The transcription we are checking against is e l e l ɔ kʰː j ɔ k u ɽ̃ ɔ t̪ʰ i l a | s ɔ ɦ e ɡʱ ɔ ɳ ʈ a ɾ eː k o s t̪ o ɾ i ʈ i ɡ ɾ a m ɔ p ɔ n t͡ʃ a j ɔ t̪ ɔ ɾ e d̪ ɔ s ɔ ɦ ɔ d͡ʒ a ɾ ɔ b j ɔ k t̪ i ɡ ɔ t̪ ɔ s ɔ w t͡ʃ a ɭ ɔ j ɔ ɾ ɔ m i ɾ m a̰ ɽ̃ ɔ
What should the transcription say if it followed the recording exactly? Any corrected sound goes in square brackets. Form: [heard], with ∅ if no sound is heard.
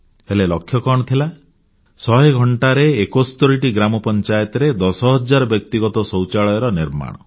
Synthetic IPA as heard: e l e l ɔ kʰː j ɔ k [ɔ] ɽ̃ ɔ t̪ʰ i l a | s ɔ ɦ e ɡʱ ɔ ɳ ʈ a ɾ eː k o s t̪ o ɾ i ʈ i ɡ ɾ a m ɔ p ɔ n t͡ʃ a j ɔ t̪ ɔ ɾ e d̪ ɔ s ɔ ɦ ɔ d͡ʒ a ɾ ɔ b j ɔ k t̪ i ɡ ɔ t̪ ɔ s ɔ w t͡ʃ a ɭ ɔ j ɔ ɾ ɔ [n] i ɾ m a̰ ɽ̃ ɔ